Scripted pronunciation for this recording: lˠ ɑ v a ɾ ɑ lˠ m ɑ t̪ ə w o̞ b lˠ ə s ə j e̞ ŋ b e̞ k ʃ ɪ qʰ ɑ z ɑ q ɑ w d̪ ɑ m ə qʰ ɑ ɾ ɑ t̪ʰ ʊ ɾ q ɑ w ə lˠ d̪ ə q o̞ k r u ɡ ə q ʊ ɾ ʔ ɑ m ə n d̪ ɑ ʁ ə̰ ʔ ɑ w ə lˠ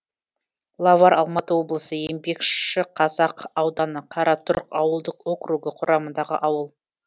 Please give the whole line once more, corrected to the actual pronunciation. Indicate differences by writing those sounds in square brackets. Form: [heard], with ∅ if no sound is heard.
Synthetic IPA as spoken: lˠ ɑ v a ɾ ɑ lˠ m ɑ t̪ ə w o̞ b lˠ ə s ə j e̞ [m] b e̞ k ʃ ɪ qʰ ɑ z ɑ q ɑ w d̪ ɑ [n] ə qʰ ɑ ɾ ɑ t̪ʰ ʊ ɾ q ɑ w ə lˠ d̪ ə q o̞ k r u ɡ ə [qʰ] ʊ ɾ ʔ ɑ m ə n d̪ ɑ ʁ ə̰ ʔ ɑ w ə lˠ